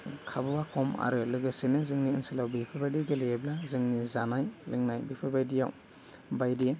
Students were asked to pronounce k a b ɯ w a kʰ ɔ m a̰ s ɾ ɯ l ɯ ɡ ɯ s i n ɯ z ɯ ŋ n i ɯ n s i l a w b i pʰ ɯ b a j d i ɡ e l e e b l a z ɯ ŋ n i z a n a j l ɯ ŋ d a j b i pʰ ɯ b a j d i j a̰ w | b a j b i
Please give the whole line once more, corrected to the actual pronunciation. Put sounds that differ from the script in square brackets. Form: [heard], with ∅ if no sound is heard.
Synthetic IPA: [kʰ] a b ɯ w a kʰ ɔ m a̰ [∅] ɾ ɯ l ɯ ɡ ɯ s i n ɯ z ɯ ŋ n i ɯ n s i l a w b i pʰ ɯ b a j d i ɡ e l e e b l a z ɯ ŋ n i z a n a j l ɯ ŋ [n] a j b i pʰ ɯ b a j d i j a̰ w | b a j [d] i